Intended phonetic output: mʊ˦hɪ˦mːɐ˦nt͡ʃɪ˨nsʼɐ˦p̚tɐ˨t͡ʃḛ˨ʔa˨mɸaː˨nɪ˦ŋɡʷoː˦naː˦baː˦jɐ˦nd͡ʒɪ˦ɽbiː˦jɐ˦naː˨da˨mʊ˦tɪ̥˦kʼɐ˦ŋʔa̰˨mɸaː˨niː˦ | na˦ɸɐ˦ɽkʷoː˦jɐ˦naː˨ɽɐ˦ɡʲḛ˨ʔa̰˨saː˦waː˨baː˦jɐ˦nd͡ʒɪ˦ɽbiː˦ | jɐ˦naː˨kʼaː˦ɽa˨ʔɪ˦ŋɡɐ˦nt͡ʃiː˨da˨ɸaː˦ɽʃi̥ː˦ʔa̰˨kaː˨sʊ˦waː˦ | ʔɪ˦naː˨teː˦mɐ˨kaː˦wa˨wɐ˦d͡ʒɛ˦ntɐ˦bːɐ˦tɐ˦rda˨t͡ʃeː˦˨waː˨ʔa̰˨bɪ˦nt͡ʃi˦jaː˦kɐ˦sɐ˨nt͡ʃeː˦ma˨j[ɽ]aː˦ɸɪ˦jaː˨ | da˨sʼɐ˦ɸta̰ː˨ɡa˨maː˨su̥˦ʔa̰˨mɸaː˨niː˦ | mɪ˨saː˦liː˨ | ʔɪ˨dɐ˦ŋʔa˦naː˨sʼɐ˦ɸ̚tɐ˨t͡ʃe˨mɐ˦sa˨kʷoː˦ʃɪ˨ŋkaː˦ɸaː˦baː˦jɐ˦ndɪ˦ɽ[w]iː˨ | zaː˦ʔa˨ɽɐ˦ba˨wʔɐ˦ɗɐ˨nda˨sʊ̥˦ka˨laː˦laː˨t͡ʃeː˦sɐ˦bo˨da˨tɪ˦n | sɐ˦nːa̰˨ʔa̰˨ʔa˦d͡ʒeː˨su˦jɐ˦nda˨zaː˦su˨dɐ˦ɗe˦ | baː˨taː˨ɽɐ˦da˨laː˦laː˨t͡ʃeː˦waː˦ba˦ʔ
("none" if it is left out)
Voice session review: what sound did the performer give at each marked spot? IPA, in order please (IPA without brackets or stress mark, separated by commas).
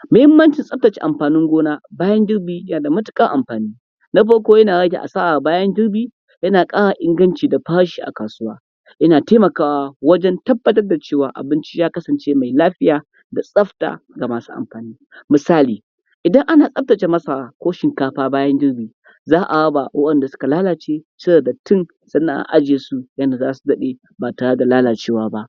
l, b